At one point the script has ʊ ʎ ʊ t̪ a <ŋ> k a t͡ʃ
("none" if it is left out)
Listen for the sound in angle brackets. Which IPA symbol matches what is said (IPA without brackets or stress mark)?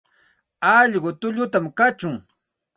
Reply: m